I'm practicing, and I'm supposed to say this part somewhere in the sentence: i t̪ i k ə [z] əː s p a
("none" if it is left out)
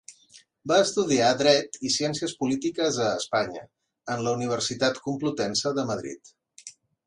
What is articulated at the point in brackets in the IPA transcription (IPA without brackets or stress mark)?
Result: z